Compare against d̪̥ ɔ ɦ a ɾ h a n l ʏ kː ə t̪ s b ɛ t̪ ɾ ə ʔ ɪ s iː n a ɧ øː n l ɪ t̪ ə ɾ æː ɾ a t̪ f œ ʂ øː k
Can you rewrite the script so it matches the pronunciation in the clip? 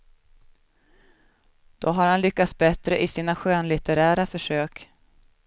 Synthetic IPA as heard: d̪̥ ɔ ɦ a ɾ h a n l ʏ kː a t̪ s b ɛ t̪ ɾ ə ʔ ɪ s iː n a ɧ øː n l ɪ t̪ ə ɾ æː ɾ a f œ ʂ øː k

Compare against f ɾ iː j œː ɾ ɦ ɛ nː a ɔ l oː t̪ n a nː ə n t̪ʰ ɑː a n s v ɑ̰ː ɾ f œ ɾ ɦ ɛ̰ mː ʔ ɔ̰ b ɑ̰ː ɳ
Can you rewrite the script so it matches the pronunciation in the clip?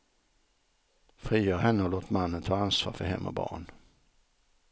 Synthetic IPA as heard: f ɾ iː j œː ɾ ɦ ɛ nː ə ɔ l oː t̪ m a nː ə n t̪ʰ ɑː a n s v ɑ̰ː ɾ f œ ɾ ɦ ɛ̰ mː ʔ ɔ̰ b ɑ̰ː ɳ

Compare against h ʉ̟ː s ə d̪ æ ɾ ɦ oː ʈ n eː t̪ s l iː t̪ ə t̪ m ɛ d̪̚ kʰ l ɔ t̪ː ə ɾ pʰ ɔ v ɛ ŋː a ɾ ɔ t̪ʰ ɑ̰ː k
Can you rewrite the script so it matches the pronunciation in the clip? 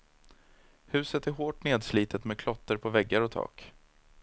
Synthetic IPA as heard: h ʉ̟ː s ə t̪ æ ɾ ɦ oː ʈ n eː d̪ s l iː t̪ ə t̪ m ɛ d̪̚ kʰ l ɔ t̪ː ə ɾ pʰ ɔ v ɛ ɡː a ɾ ɔ t̪ʰ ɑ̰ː k

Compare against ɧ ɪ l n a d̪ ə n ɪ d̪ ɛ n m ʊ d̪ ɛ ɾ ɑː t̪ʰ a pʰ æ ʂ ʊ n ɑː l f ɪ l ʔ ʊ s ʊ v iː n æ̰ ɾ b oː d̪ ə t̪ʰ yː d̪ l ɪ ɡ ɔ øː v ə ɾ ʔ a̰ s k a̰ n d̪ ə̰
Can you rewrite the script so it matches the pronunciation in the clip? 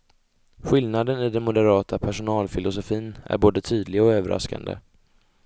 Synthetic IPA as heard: ɧ ɪ l n a d̪ ə n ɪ d̪ ɛ n m ʊ d̪ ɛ ɾ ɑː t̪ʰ a pʰ æ ʂ ʊ n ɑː l f ɪ l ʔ ʊ s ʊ f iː n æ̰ ɾ b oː d̪ ə t̪ʰ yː d̪ l ɪ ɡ ɔ øː v ə ɾ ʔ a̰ s k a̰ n d̪ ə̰

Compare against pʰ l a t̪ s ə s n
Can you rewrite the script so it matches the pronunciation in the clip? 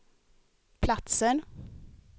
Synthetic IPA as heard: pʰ l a t̪ s ə n

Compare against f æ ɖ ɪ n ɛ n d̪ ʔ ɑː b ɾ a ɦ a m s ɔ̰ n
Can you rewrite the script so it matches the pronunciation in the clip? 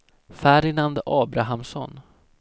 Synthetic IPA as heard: f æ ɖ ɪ n a n d̪ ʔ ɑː b ɾ a ɦ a m s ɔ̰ n

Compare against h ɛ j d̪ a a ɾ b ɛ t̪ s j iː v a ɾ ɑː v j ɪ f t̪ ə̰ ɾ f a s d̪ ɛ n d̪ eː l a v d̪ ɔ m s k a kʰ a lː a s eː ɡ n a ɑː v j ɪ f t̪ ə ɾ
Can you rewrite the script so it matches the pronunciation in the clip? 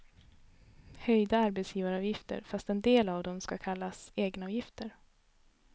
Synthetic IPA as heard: h œ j d̪ a a ɾ b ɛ t̪ s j iː v a ɾ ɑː v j ɪ f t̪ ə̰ ɾ f a s t̪ ɛ n d̪ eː l a v d̪ ɔ m s k a kʰ a lː a s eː ɡ n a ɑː v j ɪ f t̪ ə ɾ

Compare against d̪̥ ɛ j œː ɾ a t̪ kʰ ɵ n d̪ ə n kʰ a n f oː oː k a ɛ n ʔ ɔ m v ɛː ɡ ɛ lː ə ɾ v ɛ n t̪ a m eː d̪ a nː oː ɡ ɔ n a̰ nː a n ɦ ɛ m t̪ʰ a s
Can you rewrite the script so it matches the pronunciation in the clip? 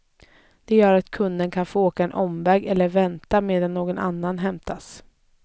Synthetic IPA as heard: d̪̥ ɛ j œː ɾ a t̪ kʰ ɵ n d̪ ə n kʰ a n f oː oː k a ɛ n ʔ ɔ m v ɛː ɡ ɛ lː ə ɾ v ɛ n t̪ a m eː d̪ a nː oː ɡ ɔ n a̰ nː a n ɦ ɛ m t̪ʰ a s

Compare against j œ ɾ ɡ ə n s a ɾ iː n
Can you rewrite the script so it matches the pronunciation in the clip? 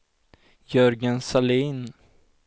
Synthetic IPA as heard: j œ ɾ ɡ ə n s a l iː n

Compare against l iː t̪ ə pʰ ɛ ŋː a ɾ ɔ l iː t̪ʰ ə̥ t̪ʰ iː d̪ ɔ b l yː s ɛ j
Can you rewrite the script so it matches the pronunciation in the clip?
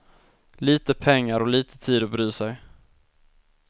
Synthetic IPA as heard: l iː t̪ ə pʰ ɛ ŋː a ɾ ɔ l iː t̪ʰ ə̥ t̪ʰ iː d̪ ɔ b ɾ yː s ɛ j

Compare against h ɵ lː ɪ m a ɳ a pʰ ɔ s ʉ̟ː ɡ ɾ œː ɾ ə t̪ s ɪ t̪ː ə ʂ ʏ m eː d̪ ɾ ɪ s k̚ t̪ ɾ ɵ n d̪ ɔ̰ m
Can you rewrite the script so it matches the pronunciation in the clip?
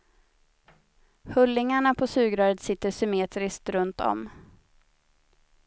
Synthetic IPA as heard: h ɵ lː ɪ ŋ a ɳ a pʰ ɔ s ʉ̟ː ɡ ɾ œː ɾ ə t̪ s ɪ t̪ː ə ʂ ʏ m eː t̪ ɾ ɪ s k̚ t̪ ɾ ɵ n t̪ ɔ̰ m

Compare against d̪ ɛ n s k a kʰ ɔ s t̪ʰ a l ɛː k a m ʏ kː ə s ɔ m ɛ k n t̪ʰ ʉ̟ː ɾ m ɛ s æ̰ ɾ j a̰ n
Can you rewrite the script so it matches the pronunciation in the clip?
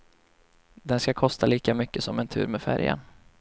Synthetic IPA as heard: d̪ ɛ n s k a kʰ ɔ s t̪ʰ a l iː k a m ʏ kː ə s ɔ m ɛ n t̪ʰ ʉ̟ː ɾ m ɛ f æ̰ ɾ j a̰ n

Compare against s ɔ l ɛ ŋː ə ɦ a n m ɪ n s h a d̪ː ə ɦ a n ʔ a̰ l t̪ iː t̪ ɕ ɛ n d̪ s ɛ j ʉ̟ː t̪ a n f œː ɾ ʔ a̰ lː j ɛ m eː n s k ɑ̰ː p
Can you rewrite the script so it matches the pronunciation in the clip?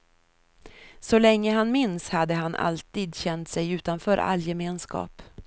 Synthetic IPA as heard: s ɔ l ɛ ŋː ə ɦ a n m ɪ n s h a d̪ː ə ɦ a n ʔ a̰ l t̪ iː d̪ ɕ ɛ n t̪ s ɛ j ʉ̟ː t̪ a n f œː ɾ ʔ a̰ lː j ɛ m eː n s k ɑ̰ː p

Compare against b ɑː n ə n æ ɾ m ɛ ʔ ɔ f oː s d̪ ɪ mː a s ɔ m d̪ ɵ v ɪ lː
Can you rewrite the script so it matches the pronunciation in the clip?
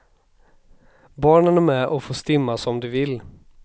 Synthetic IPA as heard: b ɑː ɳ ə n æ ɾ m ɛ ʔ ɔ f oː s t̪ ɪ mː a s ɔ m d̪ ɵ v ɪ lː

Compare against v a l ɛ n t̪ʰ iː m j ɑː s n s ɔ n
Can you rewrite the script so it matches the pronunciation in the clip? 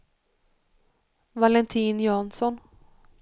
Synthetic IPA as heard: v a l ɛ n t̪ʰ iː n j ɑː n s ɔ n

